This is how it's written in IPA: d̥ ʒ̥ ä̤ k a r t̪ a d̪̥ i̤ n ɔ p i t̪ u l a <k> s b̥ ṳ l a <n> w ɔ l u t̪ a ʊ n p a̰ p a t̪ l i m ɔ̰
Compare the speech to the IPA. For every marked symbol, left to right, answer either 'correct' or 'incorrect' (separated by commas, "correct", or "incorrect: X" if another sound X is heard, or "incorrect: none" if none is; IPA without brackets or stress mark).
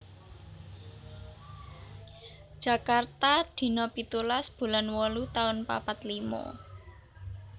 incorrect: none, correct